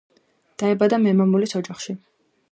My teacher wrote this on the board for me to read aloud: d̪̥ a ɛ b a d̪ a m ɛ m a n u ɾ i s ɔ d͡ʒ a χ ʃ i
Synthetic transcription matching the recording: d̪̥ a ɛ b a d̪ a m ɛ m a m u l i s ɔ d͡ʒ a χ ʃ i